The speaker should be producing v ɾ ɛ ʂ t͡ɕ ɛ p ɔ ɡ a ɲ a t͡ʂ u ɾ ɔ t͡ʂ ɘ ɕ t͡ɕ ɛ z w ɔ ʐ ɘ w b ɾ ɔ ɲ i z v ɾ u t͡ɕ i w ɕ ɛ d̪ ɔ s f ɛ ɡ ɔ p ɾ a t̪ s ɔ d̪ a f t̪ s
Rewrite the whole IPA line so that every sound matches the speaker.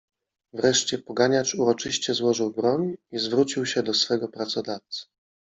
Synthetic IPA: v ɾ ɛ ʂ t͡ɕ ɛ p ɔ ɡ a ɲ a t͡ʂ u ɾ ɔ t͡ʂ ɘ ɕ t͡ɕ ɛ z w ɔ ʐ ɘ w b ɾ ɔ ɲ i z v ɾ u t͡ɕ i w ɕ ɛ d̪ ɔ s f ɛ ɡ ɔ p ɾ a t̪ s ɔ d̪ a f t̪ s

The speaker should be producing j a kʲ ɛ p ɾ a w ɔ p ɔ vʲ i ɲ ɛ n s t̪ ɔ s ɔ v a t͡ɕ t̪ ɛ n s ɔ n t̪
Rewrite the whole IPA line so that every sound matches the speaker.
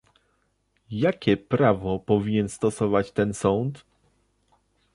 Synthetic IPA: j a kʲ ɛ p ɾ a v ɔ p ɔ vʲ i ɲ ɛ n s t̪ ɔ s ɔ v a t͡ɕ t̪ ɛ n s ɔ n t̪

